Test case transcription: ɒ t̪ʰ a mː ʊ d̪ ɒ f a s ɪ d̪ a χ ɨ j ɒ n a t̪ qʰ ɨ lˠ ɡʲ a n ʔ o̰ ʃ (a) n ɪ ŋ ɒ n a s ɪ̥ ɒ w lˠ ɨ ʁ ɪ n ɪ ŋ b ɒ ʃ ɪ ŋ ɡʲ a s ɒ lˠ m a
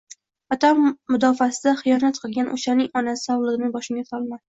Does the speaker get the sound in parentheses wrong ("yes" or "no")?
no